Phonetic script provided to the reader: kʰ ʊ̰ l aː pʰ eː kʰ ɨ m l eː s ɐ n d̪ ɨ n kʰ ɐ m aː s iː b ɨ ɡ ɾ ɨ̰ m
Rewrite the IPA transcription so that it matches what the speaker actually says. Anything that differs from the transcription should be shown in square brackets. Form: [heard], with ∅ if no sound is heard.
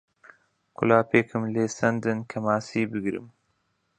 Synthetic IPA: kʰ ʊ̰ l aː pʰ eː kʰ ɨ m l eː s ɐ n d̪ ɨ n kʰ ɐ m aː s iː b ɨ ɡ ɾ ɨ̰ m